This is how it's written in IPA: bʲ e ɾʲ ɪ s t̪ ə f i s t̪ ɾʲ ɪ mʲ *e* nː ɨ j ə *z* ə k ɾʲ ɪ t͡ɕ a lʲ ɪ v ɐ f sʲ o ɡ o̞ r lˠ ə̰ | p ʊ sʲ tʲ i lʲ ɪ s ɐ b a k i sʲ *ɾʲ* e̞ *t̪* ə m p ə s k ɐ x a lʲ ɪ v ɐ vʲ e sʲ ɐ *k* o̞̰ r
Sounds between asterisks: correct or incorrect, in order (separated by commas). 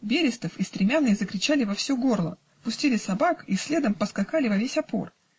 incorrect, correct, incorrect, incorrect, incorrect